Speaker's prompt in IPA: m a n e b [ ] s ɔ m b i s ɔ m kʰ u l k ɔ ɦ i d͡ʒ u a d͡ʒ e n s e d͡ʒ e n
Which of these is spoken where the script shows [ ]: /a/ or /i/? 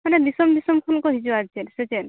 i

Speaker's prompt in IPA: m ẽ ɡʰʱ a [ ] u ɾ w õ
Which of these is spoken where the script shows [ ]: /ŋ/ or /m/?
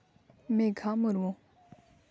m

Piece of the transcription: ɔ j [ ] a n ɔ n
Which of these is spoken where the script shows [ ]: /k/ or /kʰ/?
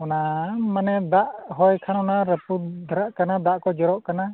kʰ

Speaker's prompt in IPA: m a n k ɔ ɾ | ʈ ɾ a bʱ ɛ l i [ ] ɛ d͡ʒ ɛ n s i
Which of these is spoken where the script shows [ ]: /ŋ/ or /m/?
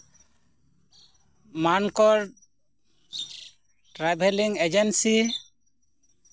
ŋ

